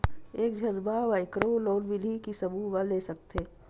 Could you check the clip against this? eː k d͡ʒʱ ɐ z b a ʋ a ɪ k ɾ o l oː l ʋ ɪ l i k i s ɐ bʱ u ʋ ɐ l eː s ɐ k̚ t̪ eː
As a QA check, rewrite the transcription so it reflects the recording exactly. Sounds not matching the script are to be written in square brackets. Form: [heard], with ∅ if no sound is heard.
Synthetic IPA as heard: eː k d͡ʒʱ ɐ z b a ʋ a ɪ k ɾ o l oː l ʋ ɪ l i k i s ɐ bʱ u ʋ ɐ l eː s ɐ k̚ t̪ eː